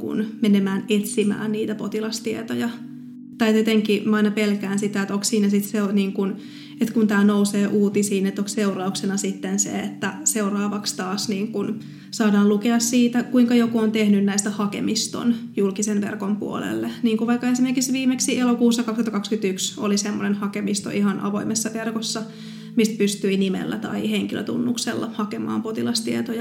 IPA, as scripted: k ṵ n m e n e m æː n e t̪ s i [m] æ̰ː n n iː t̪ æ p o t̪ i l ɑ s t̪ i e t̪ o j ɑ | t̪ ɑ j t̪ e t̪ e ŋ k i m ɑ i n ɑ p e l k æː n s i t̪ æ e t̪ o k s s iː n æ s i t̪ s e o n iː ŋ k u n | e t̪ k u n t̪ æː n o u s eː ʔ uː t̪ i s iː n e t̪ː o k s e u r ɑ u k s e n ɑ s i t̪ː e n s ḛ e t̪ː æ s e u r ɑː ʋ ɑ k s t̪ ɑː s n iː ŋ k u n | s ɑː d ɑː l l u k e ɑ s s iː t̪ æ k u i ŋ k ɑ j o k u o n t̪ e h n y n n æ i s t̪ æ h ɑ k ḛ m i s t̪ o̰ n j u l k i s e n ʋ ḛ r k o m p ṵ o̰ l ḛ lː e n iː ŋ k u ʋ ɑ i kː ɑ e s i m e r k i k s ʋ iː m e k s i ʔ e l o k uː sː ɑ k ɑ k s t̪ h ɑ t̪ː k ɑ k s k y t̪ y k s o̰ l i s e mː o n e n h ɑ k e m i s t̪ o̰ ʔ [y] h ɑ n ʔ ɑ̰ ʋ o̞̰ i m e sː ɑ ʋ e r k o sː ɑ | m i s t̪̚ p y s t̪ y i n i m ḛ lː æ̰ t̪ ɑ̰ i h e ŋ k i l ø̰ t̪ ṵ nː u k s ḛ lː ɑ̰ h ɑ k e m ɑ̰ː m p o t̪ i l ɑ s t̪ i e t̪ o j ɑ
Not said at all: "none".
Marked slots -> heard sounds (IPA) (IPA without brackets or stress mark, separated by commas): m, i